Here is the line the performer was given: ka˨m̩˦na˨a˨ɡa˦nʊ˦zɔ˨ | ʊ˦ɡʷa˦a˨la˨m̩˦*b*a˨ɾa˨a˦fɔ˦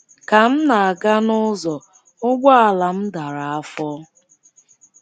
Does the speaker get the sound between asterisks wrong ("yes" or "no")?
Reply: yes